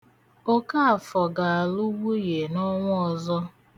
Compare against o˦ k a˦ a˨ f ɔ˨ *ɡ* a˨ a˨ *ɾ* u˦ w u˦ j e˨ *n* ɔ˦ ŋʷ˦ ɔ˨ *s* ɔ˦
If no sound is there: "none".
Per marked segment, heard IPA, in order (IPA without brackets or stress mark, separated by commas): ɡ, l, n, z